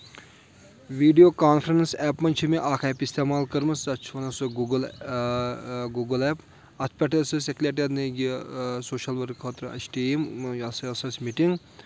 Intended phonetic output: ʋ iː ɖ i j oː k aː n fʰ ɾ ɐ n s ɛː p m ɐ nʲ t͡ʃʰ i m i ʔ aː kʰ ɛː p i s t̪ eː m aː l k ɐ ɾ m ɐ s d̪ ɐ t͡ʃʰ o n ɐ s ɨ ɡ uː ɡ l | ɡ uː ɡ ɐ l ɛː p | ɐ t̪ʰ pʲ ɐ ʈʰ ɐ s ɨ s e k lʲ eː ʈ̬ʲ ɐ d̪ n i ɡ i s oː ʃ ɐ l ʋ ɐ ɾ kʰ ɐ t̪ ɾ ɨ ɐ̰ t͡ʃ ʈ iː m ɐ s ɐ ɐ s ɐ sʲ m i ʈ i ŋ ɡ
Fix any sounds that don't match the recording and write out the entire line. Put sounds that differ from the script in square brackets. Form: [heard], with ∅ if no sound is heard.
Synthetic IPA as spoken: ʋ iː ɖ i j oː k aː n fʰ ɾ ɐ n s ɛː p m ɐ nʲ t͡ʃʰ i m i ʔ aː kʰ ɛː p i s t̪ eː m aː l k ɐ ɾ m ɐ s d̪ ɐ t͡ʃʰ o n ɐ s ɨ ɡ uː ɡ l | ɡ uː ɡ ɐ l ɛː p | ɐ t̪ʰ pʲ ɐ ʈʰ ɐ s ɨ s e k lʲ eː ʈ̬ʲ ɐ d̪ n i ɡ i s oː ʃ ɐ l ʋ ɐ ɾ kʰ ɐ t̪ ɾ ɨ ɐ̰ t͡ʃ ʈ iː m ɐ s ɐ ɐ s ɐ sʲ m i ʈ i ŋ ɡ